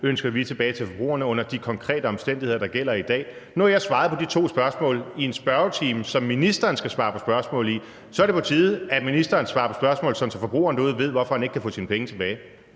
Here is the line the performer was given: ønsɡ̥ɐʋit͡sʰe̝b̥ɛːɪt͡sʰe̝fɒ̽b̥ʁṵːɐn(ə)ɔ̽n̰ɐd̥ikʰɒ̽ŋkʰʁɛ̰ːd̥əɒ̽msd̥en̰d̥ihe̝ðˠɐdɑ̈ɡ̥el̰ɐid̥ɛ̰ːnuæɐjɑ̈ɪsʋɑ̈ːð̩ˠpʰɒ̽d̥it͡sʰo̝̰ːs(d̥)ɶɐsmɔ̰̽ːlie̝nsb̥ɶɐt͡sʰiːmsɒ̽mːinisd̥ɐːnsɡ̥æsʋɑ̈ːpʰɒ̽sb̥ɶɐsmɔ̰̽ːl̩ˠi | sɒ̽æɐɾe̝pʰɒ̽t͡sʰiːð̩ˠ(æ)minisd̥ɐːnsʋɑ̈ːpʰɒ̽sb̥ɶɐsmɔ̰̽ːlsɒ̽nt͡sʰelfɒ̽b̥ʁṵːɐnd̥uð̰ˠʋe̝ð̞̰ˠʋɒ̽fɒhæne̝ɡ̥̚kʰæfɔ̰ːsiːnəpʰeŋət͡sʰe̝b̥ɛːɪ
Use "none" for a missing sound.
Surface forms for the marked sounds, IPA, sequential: ə, b̥, æ

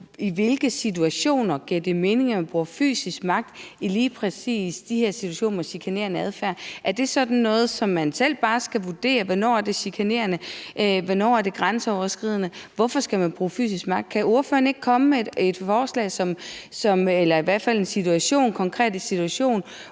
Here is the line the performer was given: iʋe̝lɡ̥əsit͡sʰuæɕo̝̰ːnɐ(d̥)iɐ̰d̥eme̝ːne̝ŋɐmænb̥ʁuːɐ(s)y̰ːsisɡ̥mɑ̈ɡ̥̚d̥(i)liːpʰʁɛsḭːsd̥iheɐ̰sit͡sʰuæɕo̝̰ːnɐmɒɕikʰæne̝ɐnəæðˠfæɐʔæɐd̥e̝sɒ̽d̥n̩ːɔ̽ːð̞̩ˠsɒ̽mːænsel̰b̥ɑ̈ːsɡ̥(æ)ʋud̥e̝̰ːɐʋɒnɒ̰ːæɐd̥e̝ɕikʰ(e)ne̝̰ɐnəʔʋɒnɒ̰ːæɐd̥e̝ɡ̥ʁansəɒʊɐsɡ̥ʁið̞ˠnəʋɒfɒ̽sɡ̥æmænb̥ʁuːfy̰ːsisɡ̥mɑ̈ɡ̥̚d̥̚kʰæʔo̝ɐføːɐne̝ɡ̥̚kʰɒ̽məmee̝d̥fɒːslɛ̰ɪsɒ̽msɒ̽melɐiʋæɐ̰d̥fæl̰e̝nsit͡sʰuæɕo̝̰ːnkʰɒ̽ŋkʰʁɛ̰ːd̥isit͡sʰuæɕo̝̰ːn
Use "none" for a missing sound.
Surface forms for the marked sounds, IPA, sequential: ɡ̥, f, i, æ, æ

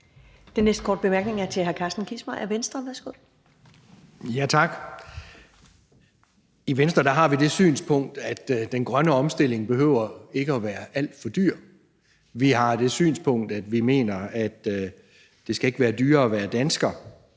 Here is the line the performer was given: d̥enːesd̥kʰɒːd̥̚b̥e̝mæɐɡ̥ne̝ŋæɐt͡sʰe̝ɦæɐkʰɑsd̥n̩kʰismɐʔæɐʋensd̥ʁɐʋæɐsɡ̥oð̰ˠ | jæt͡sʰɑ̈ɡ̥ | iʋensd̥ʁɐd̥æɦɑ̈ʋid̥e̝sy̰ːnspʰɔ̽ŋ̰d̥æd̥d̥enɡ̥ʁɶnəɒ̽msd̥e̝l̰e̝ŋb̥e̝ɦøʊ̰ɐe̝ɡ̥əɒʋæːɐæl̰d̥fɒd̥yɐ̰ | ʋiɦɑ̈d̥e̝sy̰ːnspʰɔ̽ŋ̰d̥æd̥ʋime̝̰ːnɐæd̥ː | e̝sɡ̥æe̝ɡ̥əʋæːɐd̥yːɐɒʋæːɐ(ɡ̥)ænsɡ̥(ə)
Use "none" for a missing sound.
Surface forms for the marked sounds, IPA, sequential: d̥, ɐ

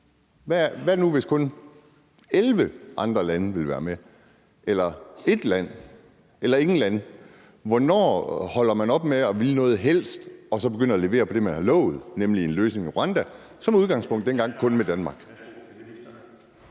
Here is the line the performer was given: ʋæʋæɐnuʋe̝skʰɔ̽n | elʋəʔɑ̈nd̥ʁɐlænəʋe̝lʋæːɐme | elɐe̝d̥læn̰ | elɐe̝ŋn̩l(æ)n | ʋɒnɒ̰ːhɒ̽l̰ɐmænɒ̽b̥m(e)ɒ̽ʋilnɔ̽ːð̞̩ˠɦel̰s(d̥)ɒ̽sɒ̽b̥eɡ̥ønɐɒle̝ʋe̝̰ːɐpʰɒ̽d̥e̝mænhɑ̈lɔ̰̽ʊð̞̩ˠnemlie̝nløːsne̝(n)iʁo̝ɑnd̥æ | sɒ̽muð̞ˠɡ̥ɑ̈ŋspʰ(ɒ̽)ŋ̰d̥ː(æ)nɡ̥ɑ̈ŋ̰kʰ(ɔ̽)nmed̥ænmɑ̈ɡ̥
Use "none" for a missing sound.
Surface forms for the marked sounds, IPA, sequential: æ, e, d̥, ŋ, ɔ̽, e, ɔ̽

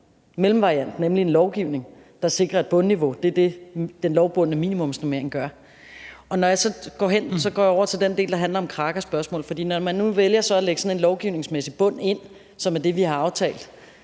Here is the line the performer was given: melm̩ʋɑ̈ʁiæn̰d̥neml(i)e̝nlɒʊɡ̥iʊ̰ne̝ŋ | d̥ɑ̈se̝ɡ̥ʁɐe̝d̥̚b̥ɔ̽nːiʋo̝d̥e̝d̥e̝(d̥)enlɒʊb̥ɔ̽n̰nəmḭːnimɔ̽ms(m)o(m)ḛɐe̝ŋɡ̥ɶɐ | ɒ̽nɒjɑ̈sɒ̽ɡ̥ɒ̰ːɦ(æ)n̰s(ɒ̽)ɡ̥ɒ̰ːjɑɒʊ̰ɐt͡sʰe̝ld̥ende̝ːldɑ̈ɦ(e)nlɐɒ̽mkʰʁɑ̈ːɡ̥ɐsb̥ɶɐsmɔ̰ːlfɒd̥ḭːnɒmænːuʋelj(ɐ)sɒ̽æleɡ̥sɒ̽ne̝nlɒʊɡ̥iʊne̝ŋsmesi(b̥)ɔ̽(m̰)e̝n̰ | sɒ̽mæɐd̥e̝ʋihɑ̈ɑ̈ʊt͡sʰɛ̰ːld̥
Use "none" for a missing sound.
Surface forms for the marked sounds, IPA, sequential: i, d̥, n, m, e, ɒ̽, æ, ɐ, b̥, n̰

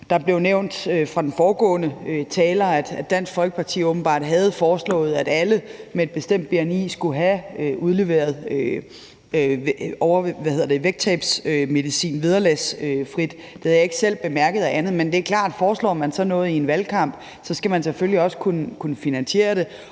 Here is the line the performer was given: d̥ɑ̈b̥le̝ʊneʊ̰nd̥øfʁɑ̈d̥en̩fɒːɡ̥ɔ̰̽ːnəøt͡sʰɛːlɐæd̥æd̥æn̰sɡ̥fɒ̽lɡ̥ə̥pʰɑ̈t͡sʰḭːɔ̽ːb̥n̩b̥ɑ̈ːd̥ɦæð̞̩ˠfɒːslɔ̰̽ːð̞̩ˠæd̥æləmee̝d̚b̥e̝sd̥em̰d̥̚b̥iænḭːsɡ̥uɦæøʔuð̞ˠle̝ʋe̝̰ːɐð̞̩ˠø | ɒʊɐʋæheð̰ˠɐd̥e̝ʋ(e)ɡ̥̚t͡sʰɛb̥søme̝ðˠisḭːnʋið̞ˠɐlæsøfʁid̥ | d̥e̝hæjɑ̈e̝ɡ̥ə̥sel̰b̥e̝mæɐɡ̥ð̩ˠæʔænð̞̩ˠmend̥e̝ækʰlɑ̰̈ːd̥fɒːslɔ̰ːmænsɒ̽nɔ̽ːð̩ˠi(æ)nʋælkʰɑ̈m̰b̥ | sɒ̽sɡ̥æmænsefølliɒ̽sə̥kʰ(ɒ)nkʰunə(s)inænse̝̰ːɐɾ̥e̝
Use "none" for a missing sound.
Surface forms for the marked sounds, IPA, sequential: e, e, u, f

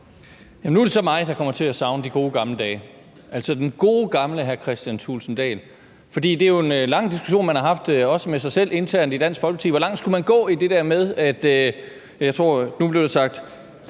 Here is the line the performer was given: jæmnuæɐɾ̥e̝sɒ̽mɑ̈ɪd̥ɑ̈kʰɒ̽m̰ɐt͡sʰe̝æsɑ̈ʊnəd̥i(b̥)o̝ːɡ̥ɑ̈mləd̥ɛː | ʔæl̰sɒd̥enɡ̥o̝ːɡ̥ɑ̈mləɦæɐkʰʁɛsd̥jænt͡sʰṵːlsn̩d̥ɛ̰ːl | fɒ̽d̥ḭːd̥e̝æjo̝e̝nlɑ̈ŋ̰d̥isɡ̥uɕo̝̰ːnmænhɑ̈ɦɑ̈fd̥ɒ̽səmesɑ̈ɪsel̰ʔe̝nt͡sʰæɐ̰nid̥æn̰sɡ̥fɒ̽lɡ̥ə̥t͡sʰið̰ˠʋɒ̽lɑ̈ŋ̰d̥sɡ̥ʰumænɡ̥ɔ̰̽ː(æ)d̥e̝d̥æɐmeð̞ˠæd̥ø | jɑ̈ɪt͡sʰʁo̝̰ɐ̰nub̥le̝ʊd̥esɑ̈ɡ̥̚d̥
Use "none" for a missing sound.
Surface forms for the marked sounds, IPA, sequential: ɡ̥, i

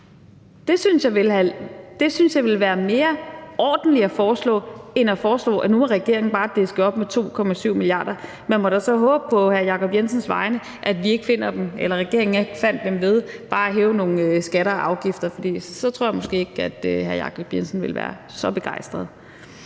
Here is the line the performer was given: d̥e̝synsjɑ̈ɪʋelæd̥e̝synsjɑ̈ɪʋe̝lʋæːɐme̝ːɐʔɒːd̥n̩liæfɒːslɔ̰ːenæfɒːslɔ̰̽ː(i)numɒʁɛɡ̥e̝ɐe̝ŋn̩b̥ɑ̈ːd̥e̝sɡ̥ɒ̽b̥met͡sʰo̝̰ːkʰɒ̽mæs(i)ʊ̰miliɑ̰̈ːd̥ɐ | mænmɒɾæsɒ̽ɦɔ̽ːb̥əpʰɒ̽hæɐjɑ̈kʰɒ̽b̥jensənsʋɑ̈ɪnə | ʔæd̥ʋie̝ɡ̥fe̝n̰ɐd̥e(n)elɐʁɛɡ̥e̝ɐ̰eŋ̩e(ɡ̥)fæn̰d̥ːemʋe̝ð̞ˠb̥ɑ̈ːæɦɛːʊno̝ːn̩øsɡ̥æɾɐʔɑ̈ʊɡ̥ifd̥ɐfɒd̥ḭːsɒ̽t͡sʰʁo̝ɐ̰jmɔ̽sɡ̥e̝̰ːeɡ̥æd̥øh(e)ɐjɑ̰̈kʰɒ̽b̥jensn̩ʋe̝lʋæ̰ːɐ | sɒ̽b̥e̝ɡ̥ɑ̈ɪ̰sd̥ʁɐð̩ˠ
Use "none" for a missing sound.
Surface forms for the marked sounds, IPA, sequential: æ, y, m, ɡ̥, æ

